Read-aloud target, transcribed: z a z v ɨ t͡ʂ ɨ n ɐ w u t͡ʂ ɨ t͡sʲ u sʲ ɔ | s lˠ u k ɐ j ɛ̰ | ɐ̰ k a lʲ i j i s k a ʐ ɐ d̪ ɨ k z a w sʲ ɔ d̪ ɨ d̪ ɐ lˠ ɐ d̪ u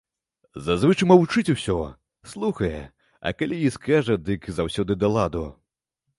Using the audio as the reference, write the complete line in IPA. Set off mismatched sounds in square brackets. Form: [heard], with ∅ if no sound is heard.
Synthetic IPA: z a z v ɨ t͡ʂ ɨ [m] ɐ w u t͡ʂ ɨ t͡sʲ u sʲ ɔ | s lˠ u [x] ɐ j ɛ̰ | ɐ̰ k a lʲ i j i s k a ʐ ɐ d̪ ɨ k z a w sʲ ɔ d̪ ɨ d̪ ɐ lˠ [a] d̪ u